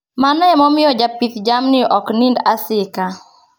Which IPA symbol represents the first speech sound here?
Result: m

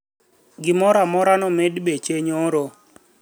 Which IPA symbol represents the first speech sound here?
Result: ɡ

